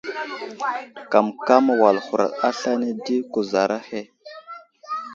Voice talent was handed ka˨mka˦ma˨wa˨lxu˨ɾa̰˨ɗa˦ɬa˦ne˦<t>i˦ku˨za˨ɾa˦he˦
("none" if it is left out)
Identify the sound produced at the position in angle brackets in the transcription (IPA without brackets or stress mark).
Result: d